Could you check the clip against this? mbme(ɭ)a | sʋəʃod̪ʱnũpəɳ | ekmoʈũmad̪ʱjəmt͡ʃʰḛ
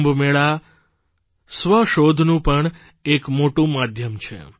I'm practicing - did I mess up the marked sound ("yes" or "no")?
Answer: no